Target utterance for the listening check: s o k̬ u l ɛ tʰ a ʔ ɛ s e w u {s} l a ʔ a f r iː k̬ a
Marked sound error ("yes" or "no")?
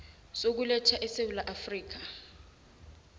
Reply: yes